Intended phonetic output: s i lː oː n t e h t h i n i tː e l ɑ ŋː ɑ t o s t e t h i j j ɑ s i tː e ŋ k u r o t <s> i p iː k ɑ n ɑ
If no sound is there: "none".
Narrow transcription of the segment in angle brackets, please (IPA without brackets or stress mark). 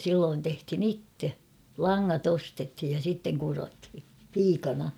h